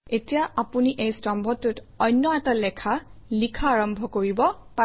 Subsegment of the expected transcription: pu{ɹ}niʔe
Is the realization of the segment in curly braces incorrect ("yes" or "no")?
yes